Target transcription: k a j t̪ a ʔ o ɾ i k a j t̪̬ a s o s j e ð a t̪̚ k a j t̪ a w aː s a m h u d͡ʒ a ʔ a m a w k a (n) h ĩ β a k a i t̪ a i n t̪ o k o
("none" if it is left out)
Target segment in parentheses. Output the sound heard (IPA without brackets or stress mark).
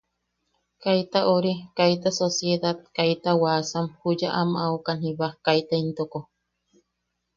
n